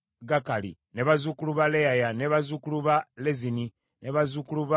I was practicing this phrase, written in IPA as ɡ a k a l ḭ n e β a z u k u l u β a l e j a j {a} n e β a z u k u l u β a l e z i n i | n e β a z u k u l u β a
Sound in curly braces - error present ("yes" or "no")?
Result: no